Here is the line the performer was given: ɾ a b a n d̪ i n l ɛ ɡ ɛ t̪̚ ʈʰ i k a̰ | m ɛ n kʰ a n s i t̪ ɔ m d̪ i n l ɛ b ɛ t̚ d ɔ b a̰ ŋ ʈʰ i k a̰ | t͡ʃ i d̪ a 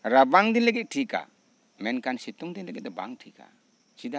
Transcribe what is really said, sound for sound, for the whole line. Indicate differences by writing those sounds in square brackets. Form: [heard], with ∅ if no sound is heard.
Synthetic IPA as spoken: ɾ a b a [ŋ] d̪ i n l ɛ ɡ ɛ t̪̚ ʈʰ i k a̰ | m ɛ n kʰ a n s i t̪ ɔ [ŋ] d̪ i n l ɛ [ɡ] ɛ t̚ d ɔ b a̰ ŋ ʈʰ i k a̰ | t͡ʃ i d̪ a